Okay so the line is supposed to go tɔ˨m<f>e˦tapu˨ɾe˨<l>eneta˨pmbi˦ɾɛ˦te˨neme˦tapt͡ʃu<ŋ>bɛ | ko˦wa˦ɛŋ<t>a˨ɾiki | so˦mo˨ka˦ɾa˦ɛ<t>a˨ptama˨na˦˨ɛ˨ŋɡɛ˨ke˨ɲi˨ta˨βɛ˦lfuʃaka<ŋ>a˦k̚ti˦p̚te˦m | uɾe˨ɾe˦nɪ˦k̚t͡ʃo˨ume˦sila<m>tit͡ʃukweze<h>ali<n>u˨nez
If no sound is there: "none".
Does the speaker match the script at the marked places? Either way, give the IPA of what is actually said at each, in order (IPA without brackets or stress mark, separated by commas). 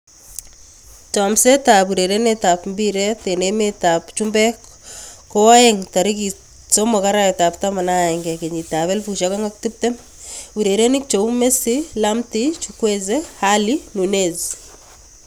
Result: s, ɾ, m, t, t, ŋ, m, h, n